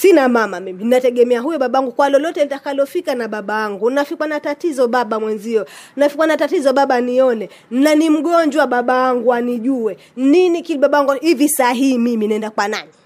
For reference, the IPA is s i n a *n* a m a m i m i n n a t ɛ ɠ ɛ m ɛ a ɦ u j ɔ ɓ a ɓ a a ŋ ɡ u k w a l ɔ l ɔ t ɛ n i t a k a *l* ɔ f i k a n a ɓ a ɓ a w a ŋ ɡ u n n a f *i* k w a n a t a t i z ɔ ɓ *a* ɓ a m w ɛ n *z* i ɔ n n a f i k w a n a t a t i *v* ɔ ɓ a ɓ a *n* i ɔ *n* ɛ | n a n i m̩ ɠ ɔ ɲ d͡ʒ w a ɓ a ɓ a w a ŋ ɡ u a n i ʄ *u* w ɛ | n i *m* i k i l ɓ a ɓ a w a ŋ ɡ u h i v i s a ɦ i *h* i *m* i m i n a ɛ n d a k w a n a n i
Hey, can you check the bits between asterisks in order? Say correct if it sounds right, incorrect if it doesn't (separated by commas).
incorrect, correct, correct, correct, correct, incorrect, correct, correct, correct, incorrect, correct, correct